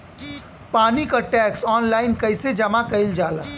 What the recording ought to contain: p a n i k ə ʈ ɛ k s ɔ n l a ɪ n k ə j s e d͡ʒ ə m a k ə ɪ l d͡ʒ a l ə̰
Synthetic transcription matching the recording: p a n i k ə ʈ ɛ k s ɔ n l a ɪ n k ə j s e d͡ʒ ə m a k ə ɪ l d͡ʒ a l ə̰